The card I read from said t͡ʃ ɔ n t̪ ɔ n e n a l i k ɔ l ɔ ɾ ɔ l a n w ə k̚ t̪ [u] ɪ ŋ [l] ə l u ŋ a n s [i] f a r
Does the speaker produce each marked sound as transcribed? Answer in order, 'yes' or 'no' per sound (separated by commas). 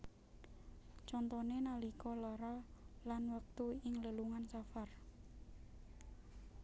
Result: yes, yes, no